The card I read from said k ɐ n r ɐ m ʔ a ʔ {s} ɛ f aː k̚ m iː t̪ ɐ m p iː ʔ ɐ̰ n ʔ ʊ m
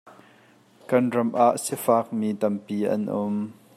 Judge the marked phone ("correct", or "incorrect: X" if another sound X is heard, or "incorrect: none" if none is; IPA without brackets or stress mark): correct